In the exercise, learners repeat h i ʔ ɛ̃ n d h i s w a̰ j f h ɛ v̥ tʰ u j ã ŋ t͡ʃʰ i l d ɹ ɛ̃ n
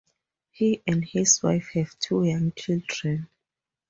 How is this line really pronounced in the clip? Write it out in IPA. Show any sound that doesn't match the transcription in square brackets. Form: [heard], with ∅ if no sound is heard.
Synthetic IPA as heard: h i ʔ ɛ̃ n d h i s w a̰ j f h ɛ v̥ tʰ u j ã ŋ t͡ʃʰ i l d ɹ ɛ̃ n